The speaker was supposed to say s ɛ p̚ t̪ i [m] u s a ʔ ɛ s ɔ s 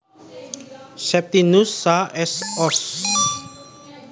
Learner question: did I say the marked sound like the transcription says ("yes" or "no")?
no